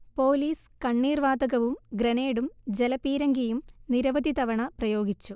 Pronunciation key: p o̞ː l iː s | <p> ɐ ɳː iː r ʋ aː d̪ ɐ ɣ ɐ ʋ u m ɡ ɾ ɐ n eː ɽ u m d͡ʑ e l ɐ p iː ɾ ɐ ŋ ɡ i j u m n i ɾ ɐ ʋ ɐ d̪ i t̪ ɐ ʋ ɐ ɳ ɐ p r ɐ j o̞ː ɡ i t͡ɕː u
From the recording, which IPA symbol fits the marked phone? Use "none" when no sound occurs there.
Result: k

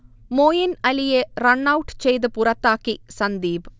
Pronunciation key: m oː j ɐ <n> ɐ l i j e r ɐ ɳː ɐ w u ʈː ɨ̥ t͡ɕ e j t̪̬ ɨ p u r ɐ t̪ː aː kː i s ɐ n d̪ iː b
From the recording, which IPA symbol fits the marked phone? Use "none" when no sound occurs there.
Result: n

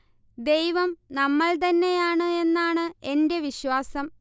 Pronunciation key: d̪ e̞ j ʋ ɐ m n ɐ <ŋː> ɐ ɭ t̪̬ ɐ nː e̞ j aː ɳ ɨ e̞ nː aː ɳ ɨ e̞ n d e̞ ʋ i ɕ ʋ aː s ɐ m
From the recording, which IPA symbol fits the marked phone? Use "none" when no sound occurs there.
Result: mː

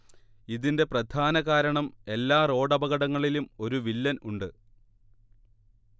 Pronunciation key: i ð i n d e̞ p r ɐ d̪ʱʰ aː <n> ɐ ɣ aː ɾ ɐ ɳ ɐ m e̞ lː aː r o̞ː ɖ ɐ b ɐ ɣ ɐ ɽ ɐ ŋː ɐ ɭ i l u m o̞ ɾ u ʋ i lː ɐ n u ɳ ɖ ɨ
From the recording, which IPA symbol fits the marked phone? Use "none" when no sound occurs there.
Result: n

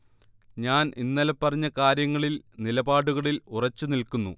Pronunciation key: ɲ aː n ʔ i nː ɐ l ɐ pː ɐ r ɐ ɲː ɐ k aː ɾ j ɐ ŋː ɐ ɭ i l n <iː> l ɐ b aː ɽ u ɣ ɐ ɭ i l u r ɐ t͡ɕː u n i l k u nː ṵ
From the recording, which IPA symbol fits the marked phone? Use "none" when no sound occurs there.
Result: i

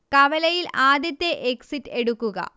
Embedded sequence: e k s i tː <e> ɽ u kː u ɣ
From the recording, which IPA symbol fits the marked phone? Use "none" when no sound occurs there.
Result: e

